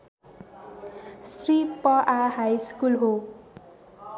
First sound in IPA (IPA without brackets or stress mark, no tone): s